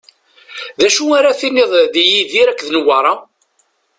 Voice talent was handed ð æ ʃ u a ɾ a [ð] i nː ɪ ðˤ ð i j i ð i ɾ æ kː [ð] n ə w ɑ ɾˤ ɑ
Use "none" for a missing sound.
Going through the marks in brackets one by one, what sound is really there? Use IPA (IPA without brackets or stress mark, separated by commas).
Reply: θ, ð